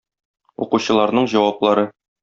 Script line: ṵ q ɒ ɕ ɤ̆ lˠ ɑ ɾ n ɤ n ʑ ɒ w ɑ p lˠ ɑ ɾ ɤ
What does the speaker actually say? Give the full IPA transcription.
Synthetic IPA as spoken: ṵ q u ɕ ɤ̆ lˠ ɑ ɾ n ɤ ɴ ʑ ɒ w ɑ p lˠ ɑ ɾ ɤ